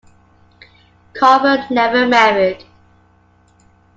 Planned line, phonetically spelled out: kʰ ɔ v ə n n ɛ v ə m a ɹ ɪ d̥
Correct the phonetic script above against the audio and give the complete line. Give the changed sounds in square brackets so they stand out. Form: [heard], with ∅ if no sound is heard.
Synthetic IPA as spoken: kʰ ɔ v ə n n ɛ v ə m [ɛ] ɹ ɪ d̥